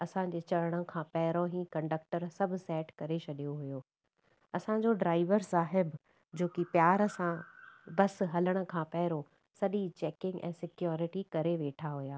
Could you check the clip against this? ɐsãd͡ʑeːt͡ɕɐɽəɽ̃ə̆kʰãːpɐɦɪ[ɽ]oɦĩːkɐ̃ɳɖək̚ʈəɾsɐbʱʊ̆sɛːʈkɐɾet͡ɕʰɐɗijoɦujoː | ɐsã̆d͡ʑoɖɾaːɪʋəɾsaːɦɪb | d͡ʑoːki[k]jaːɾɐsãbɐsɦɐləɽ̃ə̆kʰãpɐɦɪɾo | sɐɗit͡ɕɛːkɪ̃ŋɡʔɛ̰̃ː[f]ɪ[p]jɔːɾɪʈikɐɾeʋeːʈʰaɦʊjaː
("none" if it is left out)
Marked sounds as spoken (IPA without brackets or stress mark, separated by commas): ɾ, p, s, k